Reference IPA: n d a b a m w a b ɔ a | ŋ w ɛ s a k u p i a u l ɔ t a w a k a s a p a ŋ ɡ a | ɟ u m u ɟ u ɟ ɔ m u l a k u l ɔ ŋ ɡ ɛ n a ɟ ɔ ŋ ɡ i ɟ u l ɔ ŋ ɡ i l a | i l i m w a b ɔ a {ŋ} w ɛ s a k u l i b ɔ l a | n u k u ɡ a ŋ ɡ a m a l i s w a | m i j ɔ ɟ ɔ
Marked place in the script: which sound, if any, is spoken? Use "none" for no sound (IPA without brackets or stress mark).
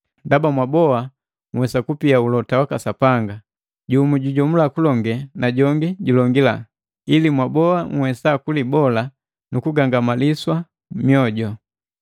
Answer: ŋ